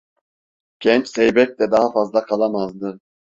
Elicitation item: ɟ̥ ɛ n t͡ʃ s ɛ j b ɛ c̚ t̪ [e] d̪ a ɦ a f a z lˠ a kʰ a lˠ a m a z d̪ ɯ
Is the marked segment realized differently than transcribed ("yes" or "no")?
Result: yes